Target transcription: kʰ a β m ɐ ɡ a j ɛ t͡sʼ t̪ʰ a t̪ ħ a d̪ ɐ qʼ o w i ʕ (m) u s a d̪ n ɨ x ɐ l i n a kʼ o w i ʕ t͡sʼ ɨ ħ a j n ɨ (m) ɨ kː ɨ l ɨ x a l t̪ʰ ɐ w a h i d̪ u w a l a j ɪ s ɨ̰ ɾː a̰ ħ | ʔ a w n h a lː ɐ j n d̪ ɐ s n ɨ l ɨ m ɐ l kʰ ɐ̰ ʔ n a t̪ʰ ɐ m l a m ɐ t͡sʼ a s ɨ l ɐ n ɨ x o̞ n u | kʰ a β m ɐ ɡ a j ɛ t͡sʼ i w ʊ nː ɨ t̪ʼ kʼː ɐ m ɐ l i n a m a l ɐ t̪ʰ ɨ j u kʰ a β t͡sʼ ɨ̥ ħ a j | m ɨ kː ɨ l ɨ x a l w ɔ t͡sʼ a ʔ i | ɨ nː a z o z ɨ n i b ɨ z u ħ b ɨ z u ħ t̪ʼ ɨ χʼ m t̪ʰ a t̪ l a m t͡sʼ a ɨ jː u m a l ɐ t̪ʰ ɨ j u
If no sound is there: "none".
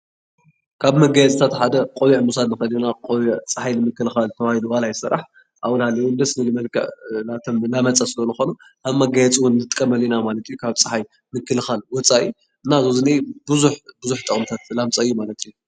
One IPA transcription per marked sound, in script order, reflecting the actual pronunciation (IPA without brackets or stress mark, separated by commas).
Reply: m, m